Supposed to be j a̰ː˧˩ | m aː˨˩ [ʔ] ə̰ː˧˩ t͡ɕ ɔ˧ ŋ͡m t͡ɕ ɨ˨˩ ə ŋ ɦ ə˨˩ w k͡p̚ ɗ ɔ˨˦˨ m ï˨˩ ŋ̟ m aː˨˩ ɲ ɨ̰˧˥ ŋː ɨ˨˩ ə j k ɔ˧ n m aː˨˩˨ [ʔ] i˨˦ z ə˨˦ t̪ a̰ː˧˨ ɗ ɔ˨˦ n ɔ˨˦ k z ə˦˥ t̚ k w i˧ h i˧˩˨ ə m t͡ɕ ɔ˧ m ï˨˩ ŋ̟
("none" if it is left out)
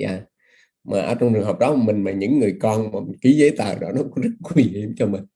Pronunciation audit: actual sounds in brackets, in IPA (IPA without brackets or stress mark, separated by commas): ʔ, k